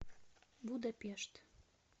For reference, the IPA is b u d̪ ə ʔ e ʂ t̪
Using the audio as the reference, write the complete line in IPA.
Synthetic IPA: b u d̪ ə p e ʃ t̪